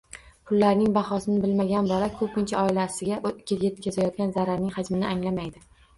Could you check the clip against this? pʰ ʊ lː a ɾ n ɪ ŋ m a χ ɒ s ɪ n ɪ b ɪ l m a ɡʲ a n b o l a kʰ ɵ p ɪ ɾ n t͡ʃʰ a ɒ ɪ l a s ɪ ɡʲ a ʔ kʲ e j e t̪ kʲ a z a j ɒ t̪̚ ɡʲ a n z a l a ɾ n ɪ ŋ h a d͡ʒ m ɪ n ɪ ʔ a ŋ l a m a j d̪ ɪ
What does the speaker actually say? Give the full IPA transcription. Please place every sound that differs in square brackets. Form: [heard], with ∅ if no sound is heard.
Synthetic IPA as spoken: pʰ ʊ lː a ɾ n ɪ ŋ [b] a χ ɒ s ɪ n ɪ b ɪ l m a ɡʲ a n b [ɒ] l a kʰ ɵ p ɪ [∅] n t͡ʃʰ a ɒ ɪ l a s ɪ ɡʲ a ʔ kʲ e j e t̪ kʲ a z a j ɒ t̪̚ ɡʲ a n z a [ɾ] a ɾ n ɪ ŋ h a d͡ʒ m ɪ n ɪ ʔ a ŋ l a m a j d̪ ɪ